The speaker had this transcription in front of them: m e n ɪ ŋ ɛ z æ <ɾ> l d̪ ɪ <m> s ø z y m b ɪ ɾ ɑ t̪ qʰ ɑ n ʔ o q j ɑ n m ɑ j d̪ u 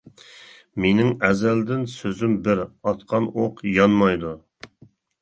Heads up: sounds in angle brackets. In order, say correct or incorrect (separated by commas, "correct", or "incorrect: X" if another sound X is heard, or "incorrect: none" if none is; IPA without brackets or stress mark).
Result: incorrect: none, incorrect: n